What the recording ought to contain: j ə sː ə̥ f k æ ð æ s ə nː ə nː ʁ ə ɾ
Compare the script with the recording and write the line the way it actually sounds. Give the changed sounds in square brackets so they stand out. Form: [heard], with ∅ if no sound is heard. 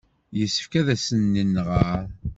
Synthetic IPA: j ə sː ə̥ f k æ ð æ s ə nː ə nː ʁ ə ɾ